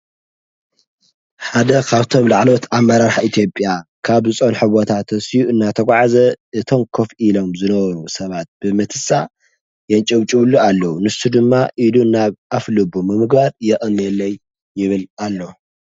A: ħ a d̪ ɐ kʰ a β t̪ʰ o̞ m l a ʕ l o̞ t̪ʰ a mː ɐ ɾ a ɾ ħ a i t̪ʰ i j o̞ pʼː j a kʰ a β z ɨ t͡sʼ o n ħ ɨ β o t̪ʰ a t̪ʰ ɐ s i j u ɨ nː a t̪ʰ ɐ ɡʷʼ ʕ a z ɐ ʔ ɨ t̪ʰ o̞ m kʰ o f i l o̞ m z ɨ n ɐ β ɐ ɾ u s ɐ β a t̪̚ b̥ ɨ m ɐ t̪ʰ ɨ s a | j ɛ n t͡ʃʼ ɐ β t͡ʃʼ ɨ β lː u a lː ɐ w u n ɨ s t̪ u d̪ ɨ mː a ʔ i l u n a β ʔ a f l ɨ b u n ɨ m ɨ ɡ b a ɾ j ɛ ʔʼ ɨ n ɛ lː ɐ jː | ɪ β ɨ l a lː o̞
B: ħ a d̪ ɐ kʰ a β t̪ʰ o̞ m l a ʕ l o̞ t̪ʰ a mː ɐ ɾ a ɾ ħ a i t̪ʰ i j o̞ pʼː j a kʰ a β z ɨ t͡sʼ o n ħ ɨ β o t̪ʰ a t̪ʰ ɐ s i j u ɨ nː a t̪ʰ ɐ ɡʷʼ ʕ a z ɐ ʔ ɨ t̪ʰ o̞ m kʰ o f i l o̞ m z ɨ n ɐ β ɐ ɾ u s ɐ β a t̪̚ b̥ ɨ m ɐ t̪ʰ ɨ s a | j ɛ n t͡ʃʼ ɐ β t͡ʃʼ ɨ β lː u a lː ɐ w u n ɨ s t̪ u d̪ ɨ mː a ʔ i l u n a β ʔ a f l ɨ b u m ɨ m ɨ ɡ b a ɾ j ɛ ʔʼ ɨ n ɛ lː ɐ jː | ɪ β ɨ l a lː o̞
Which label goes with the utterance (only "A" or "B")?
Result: B